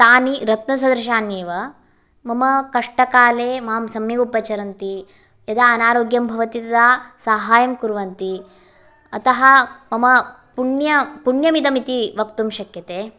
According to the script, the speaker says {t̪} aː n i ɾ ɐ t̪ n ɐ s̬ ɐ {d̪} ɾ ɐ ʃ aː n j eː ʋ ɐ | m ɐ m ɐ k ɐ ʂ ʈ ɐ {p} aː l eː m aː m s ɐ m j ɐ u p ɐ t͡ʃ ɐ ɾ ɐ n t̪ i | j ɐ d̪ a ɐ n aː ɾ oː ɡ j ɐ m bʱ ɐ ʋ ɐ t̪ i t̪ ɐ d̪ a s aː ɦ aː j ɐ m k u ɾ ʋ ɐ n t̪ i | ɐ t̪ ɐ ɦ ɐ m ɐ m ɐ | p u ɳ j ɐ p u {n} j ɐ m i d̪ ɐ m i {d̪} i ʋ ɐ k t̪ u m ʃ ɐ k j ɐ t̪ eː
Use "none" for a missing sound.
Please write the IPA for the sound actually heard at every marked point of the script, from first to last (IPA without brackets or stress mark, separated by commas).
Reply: t̪, d̪, k, ɳ, t̪